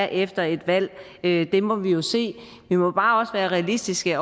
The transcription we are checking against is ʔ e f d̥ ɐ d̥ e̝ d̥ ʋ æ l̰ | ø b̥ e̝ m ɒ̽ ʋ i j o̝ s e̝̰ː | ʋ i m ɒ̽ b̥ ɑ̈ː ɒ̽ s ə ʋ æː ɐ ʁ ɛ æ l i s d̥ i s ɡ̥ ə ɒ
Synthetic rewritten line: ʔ e f d̥ ɐ e̝ d̥ ʋ æ l̰ | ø d̥ e̝ m ɒ̽ ʋ i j o̝ s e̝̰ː | ʋ i m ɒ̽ b̥ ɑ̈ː ɒ̽ s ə ʋ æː ɐ ʁ ɛ æ l i s d̥ i s ɡ̥ ə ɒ